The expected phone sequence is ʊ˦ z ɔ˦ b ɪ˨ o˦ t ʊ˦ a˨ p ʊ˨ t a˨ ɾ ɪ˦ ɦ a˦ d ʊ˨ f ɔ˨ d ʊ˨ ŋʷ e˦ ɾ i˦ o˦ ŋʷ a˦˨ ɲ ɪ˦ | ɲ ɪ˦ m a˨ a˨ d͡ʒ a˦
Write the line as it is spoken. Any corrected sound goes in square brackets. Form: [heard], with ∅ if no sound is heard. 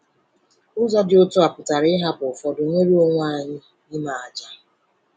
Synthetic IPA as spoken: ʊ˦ z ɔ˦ [d] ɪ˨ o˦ t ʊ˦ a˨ p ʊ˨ t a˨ ɾ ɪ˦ ɦ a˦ [b] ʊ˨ f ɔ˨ d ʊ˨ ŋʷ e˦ ɾ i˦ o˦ ŋʷ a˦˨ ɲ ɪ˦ | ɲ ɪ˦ m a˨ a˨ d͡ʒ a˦